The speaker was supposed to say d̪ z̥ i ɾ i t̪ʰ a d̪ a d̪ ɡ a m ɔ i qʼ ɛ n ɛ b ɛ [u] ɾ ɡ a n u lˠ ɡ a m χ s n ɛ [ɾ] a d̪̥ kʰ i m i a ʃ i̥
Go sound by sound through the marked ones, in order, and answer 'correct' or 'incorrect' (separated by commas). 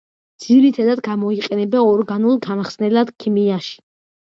incorrect, incorrect